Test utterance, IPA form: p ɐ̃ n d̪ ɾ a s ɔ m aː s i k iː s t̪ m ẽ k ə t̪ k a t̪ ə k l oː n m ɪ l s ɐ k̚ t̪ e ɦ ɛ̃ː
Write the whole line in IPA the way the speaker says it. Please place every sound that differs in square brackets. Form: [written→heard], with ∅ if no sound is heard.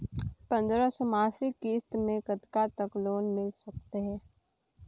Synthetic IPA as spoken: p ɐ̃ n d̪ ɾ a s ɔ m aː s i k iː s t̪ m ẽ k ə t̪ k a t̪ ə k l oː n m ɪ l s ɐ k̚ t̪ e ɦ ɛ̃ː